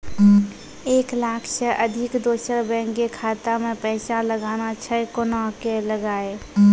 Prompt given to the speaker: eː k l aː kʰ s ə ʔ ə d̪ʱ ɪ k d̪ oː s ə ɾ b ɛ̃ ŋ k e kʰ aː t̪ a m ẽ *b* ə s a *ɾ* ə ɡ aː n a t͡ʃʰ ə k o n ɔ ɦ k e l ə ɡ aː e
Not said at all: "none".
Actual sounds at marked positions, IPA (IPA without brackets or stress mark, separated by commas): p, l